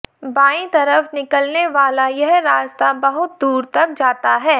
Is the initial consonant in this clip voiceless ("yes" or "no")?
no